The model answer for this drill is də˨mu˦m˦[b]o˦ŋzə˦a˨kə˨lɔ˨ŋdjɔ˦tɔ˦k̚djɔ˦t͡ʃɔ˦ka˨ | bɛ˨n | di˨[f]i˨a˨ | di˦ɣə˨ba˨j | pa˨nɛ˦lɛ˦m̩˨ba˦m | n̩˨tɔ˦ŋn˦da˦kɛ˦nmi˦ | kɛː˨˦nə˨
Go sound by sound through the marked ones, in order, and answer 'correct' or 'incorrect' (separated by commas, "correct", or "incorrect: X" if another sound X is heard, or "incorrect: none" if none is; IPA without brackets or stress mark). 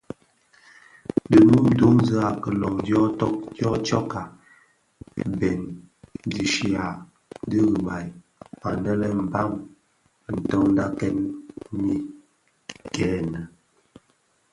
incorrect: d, incorrect: ʃ